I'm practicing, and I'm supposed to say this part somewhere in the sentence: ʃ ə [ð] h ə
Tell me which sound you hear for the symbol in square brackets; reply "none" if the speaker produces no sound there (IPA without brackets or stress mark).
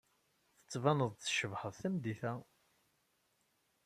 v